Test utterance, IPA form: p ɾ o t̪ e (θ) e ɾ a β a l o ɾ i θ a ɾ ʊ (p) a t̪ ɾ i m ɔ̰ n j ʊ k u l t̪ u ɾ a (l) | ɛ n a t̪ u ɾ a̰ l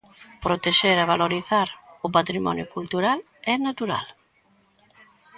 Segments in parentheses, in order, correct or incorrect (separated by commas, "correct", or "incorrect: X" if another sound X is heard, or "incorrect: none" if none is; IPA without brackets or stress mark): incorrect: ʃ, correct, correct